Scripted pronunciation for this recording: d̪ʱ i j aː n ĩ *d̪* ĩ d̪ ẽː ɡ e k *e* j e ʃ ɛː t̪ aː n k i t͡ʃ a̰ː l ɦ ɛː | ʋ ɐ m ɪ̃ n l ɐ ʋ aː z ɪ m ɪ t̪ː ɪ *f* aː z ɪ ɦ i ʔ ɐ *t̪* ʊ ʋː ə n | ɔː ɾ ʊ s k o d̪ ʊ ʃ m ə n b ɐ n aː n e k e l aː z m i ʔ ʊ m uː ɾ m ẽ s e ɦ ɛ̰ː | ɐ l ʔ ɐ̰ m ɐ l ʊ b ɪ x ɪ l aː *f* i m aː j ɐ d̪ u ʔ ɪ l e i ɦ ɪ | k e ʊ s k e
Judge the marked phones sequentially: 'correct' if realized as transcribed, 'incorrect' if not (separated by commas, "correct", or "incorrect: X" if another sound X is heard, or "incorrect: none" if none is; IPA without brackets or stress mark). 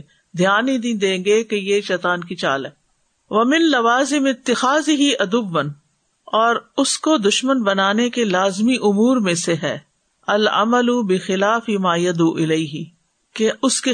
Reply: correct, correct, incorrect: x, incorrect: d̪, correct